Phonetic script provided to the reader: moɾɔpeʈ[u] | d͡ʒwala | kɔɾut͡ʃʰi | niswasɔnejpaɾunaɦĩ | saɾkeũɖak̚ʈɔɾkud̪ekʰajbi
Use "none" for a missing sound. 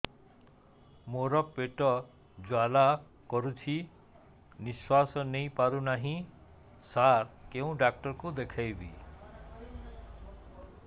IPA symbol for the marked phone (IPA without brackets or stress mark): ɔ